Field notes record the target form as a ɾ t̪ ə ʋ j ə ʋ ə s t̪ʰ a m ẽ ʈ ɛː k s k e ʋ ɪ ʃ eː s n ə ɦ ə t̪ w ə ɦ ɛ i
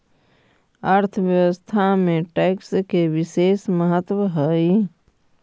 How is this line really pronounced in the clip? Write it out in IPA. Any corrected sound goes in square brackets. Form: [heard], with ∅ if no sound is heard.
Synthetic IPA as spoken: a ɾ [t̪ʰ] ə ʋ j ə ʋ ə s t̪ʰ a m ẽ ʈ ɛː k s k e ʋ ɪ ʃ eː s [m] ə ɦ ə t̪ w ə ɦ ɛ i